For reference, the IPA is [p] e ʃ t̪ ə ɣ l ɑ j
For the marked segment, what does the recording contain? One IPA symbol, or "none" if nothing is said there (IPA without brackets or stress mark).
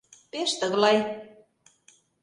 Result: p